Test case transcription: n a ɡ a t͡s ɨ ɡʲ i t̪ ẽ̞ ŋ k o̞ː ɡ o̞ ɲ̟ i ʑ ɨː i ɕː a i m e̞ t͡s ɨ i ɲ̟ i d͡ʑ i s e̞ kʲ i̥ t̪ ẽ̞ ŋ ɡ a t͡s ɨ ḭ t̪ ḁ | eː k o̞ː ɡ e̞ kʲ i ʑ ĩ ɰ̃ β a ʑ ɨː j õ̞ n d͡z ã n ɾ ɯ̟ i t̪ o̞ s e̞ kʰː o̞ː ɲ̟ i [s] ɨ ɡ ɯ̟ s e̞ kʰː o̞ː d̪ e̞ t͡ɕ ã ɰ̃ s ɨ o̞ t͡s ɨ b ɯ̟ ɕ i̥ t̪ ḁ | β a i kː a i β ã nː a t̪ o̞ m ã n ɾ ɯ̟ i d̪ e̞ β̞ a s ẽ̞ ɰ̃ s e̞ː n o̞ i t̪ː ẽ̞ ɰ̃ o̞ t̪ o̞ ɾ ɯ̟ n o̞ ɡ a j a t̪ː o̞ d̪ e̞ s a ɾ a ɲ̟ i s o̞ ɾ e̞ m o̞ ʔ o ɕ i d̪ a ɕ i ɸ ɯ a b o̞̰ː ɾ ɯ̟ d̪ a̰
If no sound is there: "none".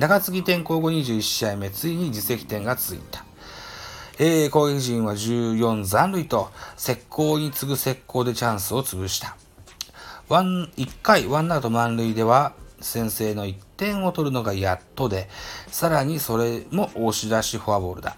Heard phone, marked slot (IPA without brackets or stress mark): t͡s